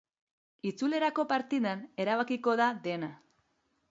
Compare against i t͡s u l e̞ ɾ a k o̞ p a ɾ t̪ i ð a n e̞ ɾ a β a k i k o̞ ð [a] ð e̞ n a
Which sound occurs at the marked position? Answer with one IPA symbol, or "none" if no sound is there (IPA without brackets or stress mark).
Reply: a